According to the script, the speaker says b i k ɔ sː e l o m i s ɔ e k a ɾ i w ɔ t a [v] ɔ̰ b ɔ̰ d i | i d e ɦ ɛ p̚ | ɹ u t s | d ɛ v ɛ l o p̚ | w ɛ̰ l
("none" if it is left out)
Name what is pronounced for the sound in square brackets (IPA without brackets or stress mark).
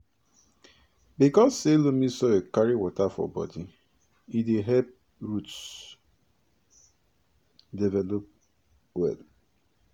f